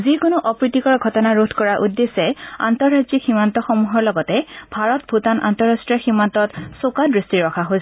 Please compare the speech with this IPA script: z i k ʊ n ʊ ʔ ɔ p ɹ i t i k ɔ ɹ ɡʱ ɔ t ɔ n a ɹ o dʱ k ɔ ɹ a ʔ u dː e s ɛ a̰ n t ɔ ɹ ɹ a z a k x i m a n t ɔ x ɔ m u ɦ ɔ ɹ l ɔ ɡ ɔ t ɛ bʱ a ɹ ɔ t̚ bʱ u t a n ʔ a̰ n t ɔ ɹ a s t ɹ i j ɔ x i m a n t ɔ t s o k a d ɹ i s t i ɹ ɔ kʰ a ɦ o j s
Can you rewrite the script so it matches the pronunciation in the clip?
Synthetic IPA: z i k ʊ n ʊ ʔ ɔ p ɹ i t i k ɔ ɹ ɡʱ ɔ t ɔ n a ɹ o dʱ k ɔ ɹ a ʔ u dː e s ɛ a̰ n t ɔ ɹ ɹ a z i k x i m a n t ɔ x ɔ m u ɦ ɔ ɹ l ɔ ɡ ɔ t ɛ bʱ a ɹ ɔ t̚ bʱ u t a n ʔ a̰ n t ɔ ɹ a s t ɹ i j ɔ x i m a n t ɔ t s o k a d ɹ i s t i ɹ ɔ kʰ a ɦ o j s